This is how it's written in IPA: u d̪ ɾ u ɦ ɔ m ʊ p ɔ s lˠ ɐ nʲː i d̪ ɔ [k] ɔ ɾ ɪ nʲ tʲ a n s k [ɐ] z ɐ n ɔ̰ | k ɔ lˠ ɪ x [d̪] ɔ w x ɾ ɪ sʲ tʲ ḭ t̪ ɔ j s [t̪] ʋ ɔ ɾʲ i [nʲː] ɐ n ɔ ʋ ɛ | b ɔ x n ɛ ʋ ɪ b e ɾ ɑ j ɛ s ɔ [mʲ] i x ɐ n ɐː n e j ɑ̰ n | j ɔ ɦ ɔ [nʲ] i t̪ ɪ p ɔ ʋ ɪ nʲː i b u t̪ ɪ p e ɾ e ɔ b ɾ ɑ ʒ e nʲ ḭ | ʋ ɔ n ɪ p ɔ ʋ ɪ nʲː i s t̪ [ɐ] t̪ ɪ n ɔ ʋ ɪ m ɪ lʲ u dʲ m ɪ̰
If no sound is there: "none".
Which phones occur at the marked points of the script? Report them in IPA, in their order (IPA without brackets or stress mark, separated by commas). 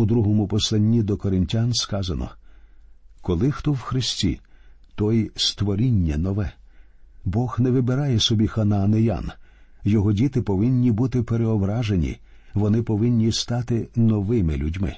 k, ɑ, t̪, t̪, nʲː, bʲ, dʲ, ɑ